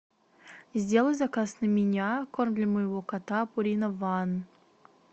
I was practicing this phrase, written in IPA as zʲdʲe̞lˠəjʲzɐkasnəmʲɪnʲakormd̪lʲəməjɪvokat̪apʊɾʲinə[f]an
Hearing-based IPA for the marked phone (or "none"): v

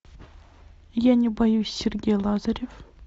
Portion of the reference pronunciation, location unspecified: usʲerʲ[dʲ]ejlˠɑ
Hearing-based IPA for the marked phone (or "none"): ɡʲ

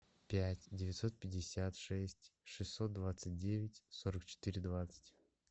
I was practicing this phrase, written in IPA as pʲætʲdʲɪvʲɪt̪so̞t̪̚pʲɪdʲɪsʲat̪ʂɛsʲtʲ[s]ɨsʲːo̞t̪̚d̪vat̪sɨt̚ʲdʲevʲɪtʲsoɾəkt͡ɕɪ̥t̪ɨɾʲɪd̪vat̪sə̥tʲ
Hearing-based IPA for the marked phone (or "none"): ʂ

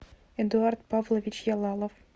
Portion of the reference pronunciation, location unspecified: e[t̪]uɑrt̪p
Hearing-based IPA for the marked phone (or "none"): d̪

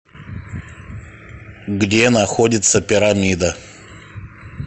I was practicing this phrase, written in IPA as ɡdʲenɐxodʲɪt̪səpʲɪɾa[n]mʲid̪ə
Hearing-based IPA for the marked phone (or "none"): none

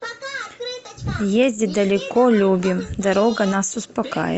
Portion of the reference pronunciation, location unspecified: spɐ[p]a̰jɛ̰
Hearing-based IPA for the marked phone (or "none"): k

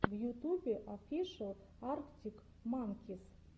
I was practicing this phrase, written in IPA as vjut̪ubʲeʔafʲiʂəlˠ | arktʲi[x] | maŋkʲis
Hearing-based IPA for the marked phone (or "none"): k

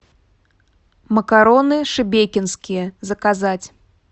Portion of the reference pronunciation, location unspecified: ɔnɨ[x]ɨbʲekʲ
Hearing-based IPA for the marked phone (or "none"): ʂ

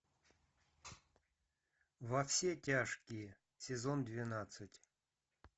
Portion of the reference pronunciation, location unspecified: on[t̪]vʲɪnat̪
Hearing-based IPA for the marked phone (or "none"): d̪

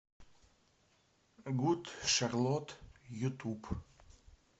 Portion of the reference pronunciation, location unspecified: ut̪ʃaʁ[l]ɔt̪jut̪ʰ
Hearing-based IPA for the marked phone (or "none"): l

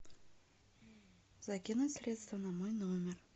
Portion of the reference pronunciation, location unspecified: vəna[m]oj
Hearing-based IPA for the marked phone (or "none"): m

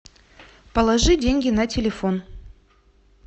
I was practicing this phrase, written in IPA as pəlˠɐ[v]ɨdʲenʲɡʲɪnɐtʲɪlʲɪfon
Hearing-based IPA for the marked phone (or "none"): ʐ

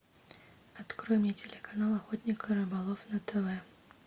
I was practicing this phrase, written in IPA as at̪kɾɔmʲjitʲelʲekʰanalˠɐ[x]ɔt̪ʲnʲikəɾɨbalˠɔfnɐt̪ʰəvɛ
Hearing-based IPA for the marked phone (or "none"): x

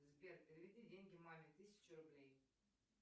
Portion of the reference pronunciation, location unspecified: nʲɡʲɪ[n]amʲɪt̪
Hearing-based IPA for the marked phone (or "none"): m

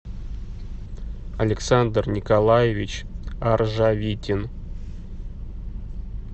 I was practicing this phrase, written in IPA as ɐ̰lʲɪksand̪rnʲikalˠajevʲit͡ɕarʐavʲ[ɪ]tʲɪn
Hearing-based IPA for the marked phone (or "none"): i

